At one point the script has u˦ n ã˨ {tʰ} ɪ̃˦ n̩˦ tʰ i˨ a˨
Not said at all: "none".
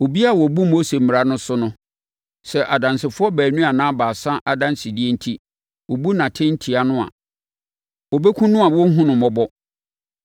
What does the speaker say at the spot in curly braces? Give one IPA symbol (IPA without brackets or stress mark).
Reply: tʰ